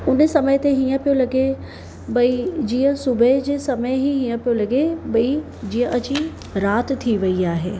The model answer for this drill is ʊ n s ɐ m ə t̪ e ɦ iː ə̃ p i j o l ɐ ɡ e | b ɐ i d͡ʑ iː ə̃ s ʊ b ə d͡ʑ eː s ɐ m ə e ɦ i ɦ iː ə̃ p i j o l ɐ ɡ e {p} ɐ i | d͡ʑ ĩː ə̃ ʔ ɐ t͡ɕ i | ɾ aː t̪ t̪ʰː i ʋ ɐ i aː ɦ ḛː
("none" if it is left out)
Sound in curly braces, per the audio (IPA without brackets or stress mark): b